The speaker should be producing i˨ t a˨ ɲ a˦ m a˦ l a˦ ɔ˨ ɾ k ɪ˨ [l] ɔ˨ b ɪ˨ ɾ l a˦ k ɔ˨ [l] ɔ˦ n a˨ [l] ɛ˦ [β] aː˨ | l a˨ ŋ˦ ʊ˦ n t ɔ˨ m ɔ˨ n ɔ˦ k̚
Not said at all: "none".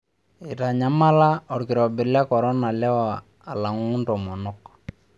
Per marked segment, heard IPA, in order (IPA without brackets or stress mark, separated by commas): ɾ, ɾ, l, w